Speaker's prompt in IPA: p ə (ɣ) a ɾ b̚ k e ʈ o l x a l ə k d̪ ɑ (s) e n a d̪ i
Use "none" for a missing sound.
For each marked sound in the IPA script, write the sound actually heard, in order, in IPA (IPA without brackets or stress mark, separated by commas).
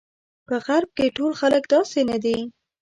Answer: ɣ, s